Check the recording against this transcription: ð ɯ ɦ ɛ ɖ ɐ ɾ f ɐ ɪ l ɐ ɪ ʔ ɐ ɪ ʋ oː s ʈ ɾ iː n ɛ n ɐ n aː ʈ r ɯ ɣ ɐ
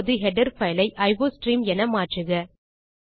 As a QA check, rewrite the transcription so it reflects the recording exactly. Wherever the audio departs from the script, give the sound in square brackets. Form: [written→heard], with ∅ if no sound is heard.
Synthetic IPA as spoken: ð ɯ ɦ ɛ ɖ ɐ ɾ f ɐ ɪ l ɐ ɪ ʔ ɐ ɪ ʋ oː s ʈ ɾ iː [n→m] ɛ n ɐ [n→m] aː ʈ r ɯ ɣ ɐ